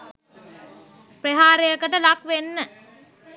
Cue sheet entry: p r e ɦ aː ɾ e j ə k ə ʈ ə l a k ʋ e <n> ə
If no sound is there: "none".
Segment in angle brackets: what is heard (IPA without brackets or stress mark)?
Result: nː